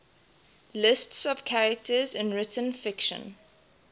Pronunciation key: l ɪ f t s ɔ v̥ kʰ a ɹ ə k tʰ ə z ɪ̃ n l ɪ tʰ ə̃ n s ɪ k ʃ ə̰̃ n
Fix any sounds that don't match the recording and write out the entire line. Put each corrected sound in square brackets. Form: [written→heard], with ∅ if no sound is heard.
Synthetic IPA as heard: l ɪ [f→s] t s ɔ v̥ kʰ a ɹ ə k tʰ ə z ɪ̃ n [l→ɹ] ɪ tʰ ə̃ n [s→f] ɪ k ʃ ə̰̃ n